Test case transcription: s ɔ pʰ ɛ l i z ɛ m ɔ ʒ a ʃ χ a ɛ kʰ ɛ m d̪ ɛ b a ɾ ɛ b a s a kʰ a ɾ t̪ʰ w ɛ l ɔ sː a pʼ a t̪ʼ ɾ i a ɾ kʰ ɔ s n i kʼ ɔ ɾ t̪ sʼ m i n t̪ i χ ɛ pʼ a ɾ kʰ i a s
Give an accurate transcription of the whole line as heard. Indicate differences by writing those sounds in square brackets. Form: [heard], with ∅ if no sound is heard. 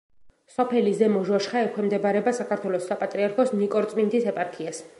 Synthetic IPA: s ɔ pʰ ɛ l i z ɛ m ɔ ʒ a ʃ χ a ɛ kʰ ɛ m d̪ ɛ b a ɾ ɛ b a s a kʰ a ɾ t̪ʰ w ɛ l ɔ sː a pʼ a t̪ʼ ɾ i a ɾ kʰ ɔ s n i kʼ ɔ ɾ t̪ sʼ m i n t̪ i [s] ɛ pʼ a ɾ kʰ i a s